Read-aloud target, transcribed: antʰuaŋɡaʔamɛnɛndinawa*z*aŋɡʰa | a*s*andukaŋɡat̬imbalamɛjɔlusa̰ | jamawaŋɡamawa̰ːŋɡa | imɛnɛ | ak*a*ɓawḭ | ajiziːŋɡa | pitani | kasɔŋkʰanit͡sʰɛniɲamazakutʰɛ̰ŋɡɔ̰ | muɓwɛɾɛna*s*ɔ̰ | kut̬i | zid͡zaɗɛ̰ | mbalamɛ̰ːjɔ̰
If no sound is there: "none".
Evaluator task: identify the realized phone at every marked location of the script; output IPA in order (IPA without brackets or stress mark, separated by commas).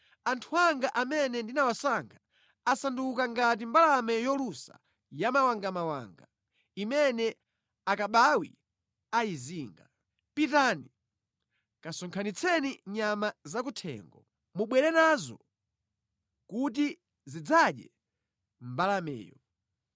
s, s, a, z